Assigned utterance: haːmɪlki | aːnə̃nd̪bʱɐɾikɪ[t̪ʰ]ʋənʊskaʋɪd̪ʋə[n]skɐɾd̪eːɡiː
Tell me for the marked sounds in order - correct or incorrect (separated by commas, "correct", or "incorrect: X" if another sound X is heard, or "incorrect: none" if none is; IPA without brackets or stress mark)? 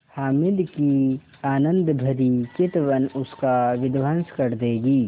incorrect: t̪, correct